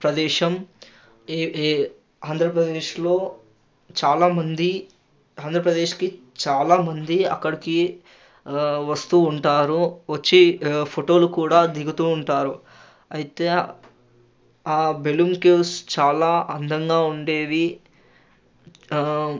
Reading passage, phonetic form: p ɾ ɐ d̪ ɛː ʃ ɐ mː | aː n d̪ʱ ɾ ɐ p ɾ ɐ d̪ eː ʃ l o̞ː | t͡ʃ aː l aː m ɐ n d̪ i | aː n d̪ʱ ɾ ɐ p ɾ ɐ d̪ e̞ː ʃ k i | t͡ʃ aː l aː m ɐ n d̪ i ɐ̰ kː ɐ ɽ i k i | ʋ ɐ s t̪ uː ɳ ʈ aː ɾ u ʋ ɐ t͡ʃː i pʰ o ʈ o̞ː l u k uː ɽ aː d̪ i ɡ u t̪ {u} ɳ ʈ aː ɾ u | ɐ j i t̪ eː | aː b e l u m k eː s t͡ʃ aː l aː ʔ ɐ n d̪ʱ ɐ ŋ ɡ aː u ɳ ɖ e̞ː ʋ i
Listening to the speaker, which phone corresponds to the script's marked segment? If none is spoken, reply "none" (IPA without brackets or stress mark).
uː